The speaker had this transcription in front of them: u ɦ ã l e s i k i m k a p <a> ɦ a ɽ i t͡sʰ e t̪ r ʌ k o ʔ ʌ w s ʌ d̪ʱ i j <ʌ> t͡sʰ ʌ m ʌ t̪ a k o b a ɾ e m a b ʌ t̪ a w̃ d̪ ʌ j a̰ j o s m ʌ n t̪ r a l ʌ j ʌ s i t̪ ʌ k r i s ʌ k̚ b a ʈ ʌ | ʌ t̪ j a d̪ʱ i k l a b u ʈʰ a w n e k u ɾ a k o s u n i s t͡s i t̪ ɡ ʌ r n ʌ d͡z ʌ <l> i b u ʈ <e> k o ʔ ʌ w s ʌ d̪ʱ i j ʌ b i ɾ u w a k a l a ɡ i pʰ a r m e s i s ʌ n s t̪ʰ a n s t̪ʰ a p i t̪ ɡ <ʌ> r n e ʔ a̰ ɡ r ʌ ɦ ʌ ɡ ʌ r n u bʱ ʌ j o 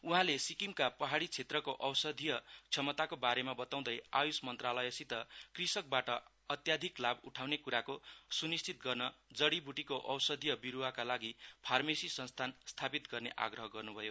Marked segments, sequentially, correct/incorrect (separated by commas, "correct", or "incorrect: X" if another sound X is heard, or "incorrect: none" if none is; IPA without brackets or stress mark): incorrect: ʌ, correct, incorrect: ɽ, incorrect: i, correct